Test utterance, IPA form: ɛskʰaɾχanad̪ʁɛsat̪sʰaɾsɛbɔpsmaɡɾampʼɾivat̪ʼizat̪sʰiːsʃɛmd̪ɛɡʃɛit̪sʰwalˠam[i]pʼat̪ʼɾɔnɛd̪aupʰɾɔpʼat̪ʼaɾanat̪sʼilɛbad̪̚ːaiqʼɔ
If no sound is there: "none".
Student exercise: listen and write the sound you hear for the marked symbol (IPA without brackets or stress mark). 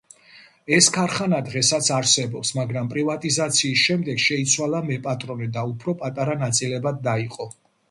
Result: ɛ